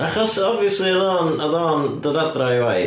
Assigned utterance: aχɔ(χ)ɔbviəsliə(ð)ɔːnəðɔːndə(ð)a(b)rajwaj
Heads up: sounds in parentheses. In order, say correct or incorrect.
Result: incorrect, correct, correct, incorrect

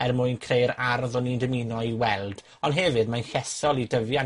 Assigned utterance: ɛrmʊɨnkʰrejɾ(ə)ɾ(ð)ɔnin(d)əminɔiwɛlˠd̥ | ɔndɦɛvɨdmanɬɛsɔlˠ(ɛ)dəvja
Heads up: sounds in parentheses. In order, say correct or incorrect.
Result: incorrect, correct, correct, incorrect

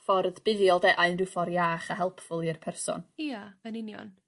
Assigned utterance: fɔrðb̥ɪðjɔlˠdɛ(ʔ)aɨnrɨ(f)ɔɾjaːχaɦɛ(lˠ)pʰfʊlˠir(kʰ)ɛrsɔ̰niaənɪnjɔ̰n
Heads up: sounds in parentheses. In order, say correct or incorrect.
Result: correct, correct, correct, incorrect

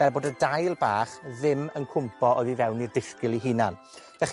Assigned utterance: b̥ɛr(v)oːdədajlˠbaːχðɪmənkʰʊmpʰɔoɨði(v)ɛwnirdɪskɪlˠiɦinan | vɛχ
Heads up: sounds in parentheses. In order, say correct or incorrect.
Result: incorrect, correct

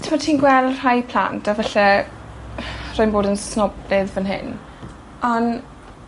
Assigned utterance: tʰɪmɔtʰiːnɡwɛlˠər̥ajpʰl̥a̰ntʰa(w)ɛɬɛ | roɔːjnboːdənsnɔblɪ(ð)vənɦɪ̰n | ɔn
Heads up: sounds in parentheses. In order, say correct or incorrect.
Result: incorrect, correct

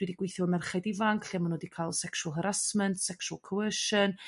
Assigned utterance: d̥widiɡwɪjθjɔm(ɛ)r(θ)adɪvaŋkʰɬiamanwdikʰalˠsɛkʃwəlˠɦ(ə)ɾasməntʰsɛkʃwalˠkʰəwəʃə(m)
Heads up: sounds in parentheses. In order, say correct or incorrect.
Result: correct, incorrect, correct, incorrect

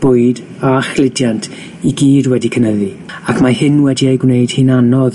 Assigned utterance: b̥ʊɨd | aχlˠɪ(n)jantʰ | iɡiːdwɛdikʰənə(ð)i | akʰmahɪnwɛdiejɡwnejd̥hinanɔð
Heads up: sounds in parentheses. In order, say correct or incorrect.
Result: incorrect, correct

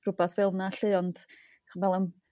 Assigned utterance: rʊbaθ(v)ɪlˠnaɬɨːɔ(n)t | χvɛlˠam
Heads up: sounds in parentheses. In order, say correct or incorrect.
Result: correct, correct

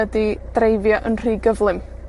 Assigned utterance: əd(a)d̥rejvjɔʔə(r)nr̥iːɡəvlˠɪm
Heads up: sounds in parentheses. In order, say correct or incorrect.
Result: incorrect, incorrect

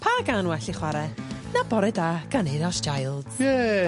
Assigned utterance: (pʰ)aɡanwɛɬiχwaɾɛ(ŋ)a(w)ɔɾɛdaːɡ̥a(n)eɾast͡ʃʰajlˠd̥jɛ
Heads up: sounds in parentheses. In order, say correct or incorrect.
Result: correct, incorrect, incorrect, correct

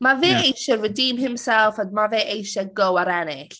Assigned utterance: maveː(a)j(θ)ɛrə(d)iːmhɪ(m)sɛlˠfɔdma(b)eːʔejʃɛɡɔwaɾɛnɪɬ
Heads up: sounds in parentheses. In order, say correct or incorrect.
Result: incorrect, incorrect, correct, correct, incorrect

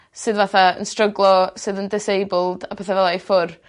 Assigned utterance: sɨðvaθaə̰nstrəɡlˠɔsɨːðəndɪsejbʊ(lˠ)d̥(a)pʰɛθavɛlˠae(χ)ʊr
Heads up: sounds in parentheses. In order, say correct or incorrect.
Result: correct, correct, incorrect

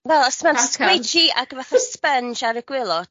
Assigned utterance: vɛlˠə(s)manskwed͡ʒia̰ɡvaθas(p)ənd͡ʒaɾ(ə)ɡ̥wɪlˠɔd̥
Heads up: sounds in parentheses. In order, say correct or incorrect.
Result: correct, correct, correct

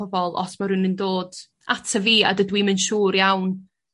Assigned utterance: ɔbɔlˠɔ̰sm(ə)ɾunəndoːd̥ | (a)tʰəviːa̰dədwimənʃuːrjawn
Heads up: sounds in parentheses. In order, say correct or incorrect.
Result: incorrect, correct

